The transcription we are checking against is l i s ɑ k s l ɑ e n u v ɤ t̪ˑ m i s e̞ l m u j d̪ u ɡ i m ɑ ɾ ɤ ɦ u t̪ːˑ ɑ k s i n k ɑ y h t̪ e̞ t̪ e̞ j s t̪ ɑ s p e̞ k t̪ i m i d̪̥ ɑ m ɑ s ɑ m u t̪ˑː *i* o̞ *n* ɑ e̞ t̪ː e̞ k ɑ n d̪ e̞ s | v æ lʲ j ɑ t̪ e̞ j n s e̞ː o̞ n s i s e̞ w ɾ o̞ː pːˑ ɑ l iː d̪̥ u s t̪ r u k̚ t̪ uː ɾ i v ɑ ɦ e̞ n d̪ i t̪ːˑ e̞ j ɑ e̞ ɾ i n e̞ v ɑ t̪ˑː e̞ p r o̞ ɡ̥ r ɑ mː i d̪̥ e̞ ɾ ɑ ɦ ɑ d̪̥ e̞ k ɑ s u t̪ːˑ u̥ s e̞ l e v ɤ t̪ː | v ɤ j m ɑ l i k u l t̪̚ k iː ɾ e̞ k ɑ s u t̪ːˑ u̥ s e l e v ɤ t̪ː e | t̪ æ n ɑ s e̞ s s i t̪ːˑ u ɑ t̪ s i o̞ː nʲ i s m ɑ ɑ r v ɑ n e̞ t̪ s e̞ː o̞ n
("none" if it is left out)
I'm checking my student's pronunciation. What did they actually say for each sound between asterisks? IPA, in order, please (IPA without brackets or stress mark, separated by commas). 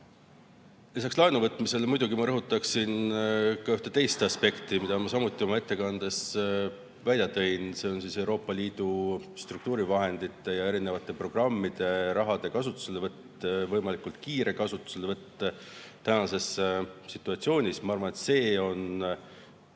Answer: i, m